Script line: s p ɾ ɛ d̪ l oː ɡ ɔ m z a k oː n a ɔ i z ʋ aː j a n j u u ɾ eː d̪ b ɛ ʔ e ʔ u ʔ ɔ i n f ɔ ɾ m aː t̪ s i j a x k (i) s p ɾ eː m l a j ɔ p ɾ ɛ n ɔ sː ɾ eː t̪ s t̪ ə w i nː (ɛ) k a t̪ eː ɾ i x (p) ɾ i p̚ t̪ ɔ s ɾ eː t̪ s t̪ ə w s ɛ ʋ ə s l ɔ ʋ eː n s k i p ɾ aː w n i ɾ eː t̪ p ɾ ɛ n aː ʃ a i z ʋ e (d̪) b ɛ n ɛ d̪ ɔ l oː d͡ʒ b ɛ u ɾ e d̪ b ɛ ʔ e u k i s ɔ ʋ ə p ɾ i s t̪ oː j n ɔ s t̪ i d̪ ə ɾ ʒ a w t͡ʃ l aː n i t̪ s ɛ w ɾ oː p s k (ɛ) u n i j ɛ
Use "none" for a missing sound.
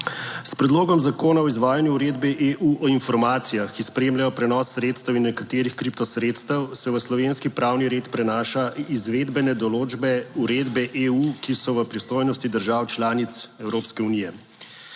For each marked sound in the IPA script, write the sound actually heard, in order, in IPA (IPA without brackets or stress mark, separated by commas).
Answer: i, ɛ, k, d̪, ɛ